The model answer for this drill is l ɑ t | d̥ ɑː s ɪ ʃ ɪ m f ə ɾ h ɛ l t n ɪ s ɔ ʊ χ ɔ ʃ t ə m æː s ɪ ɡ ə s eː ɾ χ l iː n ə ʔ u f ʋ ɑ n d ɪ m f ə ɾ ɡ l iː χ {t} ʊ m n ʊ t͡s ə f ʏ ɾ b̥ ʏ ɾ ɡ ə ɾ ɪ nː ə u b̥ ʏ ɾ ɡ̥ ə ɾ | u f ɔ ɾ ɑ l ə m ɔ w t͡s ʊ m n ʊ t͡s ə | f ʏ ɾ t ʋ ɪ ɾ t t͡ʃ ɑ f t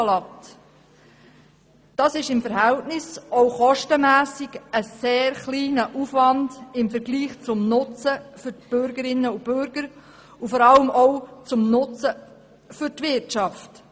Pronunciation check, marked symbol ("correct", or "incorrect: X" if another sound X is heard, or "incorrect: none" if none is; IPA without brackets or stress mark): incorrect: t͡s